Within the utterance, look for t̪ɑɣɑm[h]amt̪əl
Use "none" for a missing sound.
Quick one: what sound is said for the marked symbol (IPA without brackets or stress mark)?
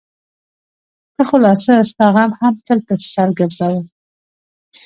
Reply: h